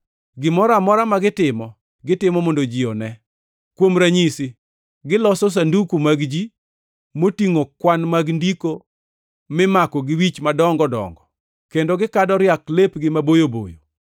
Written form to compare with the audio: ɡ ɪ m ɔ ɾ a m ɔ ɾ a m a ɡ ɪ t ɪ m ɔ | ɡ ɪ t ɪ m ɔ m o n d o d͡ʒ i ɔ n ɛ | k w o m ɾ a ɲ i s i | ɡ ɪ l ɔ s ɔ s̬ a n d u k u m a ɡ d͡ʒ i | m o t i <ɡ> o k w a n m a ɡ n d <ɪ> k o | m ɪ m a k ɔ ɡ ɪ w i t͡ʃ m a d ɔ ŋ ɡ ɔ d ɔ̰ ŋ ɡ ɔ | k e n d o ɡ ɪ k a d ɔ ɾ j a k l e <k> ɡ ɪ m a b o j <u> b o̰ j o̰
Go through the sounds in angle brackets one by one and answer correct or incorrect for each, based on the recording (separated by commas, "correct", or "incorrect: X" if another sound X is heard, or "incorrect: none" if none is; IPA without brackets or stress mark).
incorrect: ŋ, incorrect: i, incorrect: p, incorrect: o